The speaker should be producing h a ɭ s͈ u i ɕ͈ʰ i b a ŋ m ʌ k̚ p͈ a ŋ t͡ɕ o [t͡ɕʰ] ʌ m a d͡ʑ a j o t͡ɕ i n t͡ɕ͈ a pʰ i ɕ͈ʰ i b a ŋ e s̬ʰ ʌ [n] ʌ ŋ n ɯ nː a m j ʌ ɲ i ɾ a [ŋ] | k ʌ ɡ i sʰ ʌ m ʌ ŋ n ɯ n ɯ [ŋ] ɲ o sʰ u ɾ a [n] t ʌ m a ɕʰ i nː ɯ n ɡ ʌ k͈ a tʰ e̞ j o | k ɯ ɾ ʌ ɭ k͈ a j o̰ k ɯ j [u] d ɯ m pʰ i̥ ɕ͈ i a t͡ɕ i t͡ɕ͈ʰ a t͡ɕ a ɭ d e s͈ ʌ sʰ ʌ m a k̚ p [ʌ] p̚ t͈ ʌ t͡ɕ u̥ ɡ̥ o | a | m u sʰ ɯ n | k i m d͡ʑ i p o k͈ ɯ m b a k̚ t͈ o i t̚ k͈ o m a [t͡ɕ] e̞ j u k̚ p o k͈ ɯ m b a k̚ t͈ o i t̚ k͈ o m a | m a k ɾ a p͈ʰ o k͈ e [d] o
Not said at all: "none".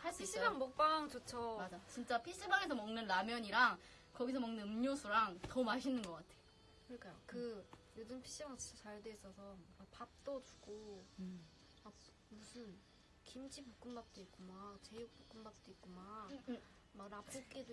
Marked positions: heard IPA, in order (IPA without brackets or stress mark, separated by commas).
t͡ɕʰ, m, ŋ, m, ŋ, o, a, t͡ɕ, d